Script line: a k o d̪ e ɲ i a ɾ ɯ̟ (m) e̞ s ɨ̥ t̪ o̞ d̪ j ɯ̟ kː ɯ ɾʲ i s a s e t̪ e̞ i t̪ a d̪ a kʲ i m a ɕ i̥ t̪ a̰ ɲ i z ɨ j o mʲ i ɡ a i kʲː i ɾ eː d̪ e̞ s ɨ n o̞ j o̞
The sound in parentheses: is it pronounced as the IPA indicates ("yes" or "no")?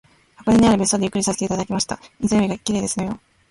no